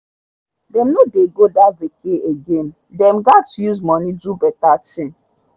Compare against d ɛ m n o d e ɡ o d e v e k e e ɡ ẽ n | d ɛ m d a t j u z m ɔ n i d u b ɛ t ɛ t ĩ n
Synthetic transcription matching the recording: d ɛ m n o d e ɡ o d a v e k e e ɡ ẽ n | d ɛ m ɡ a t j u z m ɔ n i d u b ɛ t a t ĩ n